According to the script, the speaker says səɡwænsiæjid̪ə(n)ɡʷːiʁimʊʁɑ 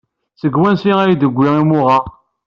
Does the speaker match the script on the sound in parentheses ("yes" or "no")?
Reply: no